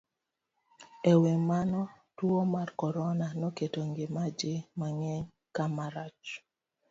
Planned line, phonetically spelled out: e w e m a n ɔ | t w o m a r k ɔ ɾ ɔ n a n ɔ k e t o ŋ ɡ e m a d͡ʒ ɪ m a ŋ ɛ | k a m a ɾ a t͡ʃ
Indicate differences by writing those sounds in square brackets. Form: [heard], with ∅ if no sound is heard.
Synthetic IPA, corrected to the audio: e w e m a n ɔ | t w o m a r k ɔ ɾ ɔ n a n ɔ k e t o ŋ ɡ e m a d͡ʒ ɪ m a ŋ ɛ | k a m a ɾ a t͡ʃ